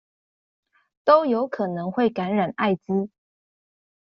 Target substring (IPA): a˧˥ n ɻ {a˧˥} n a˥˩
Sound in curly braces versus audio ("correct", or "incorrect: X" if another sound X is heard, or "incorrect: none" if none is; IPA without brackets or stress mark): incorrect: a˨˩